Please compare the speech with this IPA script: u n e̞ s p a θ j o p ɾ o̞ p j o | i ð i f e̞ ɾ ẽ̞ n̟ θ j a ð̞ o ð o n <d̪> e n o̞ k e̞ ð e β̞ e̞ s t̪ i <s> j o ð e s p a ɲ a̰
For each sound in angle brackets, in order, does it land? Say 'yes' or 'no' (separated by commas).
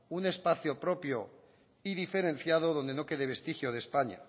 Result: yes, no